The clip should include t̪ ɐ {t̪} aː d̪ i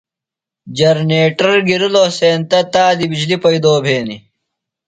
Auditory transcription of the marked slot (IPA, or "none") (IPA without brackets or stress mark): t̪